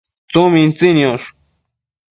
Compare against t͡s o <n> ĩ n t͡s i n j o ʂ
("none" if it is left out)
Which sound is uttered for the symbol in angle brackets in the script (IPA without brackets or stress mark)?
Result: m